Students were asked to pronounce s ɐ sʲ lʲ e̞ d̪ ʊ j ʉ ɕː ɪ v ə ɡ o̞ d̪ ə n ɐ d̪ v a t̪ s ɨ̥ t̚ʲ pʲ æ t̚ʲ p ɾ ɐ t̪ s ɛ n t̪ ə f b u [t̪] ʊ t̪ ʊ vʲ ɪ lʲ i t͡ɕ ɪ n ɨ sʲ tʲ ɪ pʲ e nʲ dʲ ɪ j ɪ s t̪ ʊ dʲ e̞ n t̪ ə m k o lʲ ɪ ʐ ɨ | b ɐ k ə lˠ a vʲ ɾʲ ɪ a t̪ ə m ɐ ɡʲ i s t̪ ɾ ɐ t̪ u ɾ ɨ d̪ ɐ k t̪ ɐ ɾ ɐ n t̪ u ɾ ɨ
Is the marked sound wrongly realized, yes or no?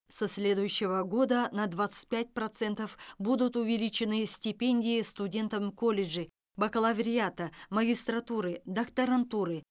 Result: yes